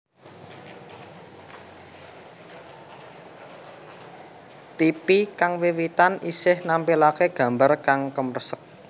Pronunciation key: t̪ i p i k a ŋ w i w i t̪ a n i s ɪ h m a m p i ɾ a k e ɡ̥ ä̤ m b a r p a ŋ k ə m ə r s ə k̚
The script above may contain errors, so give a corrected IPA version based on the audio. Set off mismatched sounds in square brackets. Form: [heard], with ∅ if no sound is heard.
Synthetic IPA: t̪ i p i k a ŋ w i w i t̪ a n i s ɪ h [n] a m p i [l] a k e ɡ̥ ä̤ m b a r [k] a ŋ k ə m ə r s ə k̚